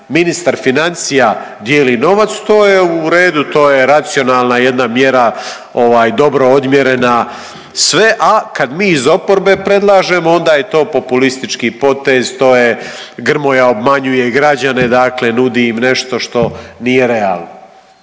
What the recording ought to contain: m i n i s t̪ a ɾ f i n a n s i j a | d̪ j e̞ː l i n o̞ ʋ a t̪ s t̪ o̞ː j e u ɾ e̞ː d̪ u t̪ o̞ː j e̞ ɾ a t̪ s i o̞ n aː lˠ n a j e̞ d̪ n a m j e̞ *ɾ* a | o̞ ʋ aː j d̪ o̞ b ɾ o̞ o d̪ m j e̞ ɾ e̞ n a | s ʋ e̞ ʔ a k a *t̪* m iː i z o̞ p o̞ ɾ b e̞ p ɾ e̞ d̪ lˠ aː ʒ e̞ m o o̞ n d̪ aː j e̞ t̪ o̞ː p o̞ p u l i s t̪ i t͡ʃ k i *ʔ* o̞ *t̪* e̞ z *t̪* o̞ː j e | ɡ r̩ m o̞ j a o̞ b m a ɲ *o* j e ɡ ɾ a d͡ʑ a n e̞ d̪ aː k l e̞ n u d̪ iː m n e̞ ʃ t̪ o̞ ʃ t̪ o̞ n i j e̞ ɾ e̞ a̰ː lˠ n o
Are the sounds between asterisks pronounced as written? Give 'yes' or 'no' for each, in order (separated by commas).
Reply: yes, no, no, yes, yes, no